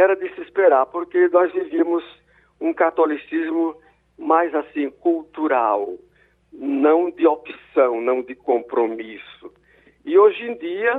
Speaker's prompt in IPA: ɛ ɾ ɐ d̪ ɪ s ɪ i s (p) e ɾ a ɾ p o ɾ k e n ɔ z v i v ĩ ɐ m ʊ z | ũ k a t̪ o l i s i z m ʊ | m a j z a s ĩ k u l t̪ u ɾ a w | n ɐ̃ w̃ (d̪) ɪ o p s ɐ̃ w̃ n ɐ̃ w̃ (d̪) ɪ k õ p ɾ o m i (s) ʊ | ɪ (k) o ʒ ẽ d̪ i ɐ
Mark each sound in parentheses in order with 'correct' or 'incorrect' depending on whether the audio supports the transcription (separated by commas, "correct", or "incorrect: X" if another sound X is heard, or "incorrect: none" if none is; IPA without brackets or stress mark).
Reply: correct, correct, correct, correct, incorrect: none